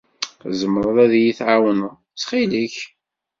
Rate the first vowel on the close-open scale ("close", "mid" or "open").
mid